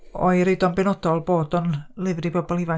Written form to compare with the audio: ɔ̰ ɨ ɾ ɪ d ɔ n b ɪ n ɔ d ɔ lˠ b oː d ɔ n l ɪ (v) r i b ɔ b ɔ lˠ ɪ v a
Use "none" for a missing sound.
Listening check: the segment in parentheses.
v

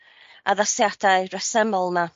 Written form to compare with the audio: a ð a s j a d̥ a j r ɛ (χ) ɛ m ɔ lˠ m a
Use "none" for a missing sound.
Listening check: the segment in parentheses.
s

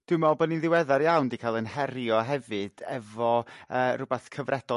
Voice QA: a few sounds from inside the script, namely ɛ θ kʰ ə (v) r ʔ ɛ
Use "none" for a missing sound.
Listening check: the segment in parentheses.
v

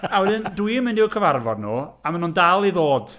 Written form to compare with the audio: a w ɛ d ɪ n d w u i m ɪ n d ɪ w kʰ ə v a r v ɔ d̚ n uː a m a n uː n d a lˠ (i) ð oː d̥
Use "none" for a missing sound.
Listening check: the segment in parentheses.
i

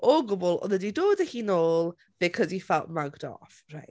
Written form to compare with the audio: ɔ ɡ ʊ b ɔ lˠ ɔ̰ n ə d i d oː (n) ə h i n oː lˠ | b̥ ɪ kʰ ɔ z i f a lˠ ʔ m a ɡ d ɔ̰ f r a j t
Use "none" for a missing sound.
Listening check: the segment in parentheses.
d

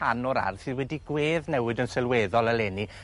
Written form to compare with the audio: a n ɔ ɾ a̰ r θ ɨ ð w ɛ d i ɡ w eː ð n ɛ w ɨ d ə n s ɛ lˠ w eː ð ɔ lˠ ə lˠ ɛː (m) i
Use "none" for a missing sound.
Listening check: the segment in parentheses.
n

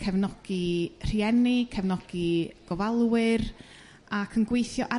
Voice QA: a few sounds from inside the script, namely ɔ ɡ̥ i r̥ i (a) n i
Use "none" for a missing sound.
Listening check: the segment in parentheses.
ɛ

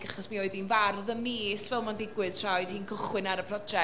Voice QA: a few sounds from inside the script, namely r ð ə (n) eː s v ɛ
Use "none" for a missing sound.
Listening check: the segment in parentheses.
m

